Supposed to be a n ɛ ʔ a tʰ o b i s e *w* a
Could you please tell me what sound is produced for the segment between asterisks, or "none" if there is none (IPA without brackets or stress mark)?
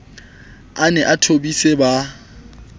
b